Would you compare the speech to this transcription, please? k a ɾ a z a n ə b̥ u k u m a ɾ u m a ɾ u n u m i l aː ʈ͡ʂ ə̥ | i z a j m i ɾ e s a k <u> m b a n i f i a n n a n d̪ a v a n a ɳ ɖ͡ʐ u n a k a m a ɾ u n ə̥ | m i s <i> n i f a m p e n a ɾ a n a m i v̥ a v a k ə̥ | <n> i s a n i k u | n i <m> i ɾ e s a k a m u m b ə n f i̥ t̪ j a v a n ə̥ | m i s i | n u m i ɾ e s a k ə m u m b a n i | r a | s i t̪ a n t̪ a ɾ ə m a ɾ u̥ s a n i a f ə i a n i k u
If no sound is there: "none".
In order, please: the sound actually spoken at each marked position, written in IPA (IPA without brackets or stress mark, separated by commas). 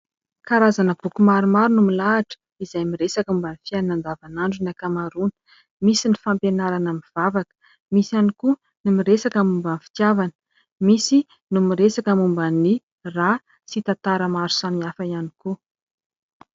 u, i, m, m